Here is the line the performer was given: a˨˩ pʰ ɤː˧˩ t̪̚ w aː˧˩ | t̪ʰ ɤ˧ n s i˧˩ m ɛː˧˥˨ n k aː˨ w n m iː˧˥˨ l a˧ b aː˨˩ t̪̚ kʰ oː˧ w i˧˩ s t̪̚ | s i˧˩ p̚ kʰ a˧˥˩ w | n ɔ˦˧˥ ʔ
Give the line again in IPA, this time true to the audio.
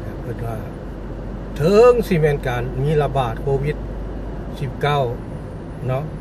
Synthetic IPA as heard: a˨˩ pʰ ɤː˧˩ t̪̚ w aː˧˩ | t̪ʰ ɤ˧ ŋ s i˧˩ m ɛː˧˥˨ n k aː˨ n m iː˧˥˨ l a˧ b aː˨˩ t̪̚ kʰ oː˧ w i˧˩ t̪̚ | s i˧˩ p̚ k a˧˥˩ w | n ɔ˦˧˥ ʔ